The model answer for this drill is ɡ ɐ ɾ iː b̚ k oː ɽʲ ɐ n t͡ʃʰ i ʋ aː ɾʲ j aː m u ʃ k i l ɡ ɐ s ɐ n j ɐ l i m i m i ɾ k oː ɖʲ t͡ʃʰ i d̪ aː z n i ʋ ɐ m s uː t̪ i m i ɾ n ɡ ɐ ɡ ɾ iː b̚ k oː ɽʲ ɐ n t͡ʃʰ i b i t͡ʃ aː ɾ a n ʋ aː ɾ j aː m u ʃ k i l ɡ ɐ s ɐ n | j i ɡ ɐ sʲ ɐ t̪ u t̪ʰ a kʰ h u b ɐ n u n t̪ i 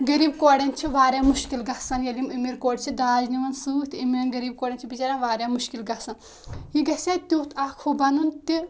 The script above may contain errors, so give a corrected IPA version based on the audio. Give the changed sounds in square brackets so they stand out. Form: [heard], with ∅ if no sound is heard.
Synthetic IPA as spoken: ɡ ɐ ɾ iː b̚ k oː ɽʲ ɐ n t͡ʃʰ i ʋ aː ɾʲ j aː m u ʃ k i l ɡ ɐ s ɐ n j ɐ l i m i m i ɾ k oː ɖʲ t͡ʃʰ i d̪ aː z n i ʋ ɐ [n] s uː t̪ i m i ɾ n ɡ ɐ [∅] ɾ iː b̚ k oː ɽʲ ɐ n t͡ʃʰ i b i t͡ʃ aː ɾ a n ʋ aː ɾ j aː m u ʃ k i l ɡ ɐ s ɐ n | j i ɡ ɐ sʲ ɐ t̪ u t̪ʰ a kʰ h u b ɐ n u n t̪ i